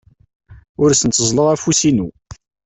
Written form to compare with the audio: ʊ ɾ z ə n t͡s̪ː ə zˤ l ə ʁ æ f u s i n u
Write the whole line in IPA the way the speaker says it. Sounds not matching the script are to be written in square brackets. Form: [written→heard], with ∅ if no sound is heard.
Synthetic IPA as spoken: ʊ ɾ [z→s] ə n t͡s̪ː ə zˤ l ə ʁ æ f u s i n u

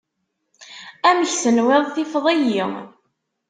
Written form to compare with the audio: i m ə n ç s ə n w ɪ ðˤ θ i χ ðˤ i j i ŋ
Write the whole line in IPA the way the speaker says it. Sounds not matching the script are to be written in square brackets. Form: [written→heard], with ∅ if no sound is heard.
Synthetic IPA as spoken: [i→æ] m ə [n→∅] ç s ə n w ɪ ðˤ θ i [χ→f] ðˤ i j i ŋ

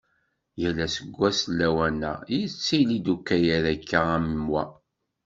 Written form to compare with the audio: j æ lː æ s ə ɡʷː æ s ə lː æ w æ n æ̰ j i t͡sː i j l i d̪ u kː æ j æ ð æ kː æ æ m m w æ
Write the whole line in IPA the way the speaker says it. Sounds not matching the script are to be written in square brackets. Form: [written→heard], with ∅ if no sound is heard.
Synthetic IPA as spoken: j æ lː æ s ə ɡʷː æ s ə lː æ w æ n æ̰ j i t͡sː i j l i d̪ u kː æ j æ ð æ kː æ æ m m w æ

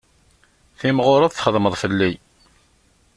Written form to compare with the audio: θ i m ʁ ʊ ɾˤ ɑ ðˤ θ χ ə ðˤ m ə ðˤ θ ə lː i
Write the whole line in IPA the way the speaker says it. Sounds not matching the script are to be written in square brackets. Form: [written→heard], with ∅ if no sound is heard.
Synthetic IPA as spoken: θ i m ʁ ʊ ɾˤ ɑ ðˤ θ χ ə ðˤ m ə ðˤ [θ→f] ə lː i

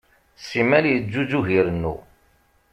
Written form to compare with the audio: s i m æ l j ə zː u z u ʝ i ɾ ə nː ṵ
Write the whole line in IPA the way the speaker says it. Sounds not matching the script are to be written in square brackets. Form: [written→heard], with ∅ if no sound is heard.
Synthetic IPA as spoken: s i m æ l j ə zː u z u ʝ i ɾ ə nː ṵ

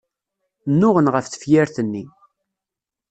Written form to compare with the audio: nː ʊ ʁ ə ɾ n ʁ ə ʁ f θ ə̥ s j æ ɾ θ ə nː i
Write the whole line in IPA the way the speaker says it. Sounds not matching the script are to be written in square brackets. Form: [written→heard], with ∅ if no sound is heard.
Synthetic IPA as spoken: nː ʊ ʁ ə [ɾ→∅] n ʁ ə [ʁ→∅] f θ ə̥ [s→f] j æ ɾ θ ə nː i

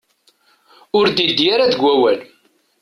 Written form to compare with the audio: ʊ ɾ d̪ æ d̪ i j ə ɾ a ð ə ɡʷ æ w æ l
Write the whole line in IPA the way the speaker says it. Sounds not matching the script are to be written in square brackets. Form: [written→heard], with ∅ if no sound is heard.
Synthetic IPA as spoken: ʊ ɾ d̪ [æ→i] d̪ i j [ə→a] ɾ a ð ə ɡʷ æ w æ l

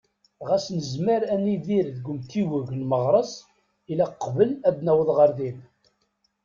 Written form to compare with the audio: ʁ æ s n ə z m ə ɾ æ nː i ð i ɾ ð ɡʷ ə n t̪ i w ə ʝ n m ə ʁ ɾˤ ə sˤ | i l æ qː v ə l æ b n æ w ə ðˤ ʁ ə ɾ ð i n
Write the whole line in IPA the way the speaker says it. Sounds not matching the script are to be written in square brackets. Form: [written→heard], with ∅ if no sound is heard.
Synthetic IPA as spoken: ʁ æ s n ə z m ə ɾ æ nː i ð i ɾ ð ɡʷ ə [n→m] t̪ i w ə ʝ n m ə ʁ ɾˤ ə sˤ | i l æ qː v ə l æ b n æ w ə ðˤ ʁ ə ɾ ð i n

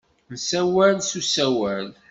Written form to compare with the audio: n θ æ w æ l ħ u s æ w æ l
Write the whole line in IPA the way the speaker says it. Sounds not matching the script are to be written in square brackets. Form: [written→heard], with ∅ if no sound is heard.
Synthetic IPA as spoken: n [θ→s] æ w æ l [ħ→s] u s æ w æ l

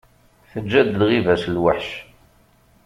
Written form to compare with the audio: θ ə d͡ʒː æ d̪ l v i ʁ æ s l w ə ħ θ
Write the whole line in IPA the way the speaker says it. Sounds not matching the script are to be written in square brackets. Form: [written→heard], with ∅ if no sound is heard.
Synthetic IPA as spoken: θ ə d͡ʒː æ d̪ l [v→ʁ] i [ʁ→v] æ s l w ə ħ [θ→ʃ]

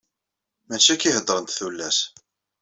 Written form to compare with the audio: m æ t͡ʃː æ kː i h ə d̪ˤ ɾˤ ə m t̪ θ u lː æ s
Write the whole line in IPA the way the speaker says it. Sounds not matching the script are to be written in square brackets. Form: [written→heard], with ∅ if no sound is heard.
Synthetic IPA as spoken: m æ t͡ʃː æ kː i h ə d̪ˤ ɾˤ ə [m→n] t̪ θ u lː æ s

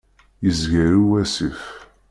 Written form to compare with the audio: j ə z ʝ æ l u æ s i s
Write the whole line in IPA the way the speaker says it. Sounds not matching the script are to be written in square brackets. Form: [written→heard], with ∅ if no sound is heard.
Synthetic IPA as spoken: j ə z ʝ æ [l→ɾ] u æ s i [s→f]

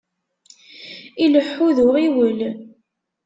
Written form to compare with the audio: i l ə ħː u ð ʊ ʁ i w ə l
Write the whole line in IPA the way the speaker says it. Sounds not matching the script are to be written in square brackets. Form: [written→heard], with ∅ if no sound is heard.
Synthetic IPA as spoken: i l ə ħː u ð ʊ ʁ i w ə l

